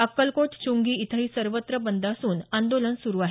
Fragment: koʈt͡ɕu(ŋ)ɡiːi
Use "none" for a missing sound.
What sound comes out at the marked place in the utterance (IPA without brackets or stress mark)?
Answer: ŋ